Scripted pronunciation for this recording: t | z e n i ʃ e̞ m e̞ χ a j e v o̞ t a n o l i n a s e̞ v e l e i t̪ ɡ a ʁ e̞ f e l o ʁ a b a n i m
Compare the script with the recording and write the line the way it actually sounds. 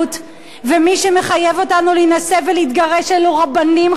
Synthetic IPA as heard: t | v e m i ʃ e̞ m e̞ χ a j e v o̞ t a n u l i n a s e̞ v e l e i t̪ ɡ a ʁ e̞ ʃ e l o ʁ a b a n i m